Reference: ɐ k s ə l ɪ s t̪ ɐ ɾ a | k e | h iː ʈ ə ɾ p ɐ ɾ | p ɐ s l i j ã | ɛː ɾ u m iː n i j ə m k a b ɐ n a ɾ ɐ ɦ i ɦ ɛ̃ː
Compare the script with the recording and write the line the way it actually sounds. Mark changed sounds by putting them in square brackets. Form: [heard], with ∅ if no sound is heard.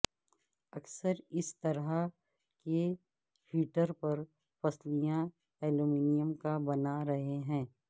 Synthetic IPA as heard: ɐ k s ə [ɾ] ɪ s t̪ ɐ ɾ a | k e | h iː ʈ ə ɾ p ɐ ɾ | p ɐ s l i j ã | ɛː [l] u m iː n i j ə m k a b ɐ n a ɾ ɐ ɦ [e] ɦ ɛ̃ː